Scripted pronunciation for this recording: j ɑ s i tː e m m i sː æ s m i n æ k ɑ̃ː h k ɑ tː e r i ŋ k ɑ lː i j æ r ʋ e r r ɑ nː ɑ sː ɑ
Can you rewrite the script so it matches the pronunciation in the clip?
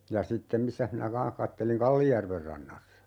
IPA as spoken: j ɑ s i tː e m m i sː æ h m i n æ k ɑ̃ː h k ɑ tː e l i ŋ k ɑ lː i j æ r ʋ e r r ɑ nː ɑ sː ɑ